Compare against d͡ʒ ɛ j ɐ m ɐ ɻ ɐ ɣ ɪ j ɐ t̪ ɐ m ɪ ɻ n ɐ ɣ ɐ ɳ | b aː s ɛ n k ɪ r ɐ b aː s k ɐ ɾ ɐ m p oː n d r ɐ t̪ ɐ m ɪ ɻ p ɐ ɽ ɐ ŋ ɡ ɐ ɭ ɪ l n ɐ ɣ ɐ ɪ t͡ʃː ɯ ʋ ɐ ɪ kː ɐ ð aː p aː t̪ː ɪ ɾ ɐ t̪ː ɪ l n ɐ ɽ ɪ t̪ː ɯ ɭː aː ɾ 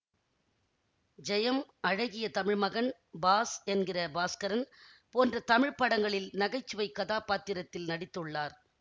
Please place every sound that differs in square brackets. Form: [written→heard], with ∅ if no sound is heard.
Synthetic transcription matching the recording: d͡ʒ ɛ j ɐ m ɐ ɻ ɐ ɣ ɪ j ɐ t̪ ɐ m ɪ ɻ [n→m] ɐ ɣ ɐ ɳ | b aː s ɛ n [k→ɡ] ɪ r ɐ b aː s k ɐ ɾ ɐ [m→n] p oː n d r ɐ t̪ ɐ m ɪ ɻ p ɐ ɽ ɐ ŋ ɡ ɐ ɭ ɪ l n ɐ ɣ ɐ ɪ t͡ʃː ɯ ʋ ɐ ɪ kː ɐ ð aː p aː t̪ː ɪ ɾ ɐ t̪ː ɪ l n ɐ ɽ ɪ t̪ː ɯ ɭː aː ɾ